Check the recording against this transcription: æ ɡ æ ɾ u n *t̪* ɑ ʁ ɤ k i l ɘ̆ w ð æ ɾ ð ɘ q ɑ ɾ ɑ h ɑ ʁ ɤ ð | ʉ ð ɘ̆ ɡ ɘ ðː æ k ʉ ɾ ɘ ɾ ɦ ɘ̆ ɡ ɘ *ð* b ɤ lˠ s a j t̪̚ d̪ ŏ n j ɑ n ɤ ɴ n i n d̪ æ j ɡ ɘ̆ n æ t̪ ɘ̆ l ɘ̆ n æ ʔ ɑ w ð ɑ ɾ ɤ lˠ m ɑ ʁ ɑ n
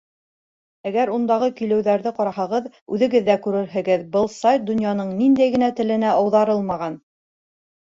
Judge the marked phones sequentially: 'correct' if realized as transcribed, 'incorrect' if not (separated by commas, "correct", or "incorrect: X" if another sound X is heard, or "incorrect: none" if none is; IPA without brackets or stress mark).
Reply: incorrect: d̪, correct